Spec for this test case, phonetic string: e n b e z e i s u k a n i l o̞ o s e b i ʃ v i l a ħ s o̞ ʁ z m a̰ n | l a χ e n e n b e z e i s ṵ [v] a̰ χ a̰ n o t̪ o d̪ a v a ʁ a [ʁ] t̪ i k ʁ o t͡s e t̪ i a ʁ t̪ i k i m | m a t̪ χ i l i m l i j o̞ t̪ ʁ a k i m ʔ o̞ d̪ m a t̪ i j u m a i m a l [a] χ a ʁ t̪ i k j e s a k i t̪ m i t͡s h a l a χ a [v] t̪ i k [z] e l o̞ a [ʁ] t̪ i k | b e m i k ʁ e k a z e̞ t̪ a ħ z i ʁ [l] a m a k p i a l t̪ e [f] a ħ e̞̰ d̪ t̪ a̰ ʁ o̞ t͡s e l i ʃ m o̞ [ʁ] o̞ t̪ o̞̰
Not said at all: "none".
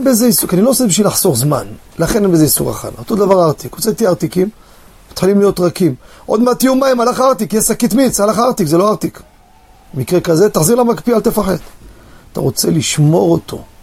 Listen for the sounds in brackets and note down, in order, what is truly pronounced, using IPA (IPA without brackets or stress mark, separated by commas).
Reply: ʁ, ʁ, a, ʁ, z, ʁ, l, f, ʁ